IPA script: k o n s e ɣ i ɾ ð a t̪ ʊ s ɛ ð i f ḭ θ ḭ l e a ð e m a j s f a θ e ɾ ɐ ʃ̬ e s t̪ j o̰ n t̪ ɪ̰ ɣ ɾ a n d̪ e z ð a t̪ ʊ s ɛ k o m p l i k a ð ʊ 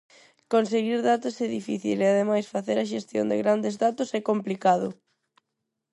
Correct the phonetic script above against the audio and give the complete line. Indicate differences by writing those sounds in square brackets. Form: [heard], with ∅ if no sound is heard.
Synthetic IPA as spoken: k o n s e ɣ i ɾ ð a t̪ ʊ s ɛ ð i f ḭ θ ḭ l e a ð e m a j s f a θ e ɾ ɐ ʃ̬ e s t̪ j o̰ n [d̪] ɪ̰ ɣ ɾ a n d̪ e z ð a t̪ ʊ s ɛ k o m p l i k a ð ʊ